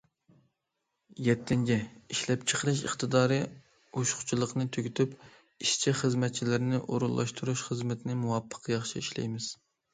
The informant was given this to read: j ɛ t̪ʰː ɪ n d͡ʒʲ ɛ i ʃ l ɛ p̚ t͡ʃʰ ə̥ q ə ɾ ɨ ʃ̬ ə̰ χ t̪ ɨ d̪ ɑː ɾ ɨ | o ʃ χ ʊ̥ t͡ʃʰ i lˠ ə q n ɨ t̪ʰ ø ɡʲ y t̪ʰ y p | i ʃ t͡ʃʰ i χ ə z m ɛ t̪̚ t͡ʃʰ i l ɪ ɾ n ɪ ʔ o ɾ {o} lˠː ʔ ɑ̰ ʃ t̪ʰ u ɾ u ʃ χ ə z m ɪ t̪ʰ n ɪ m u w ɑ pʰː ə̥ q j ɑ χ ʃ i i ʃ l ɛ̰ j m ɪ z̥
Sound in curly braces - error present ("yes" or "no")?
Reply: yes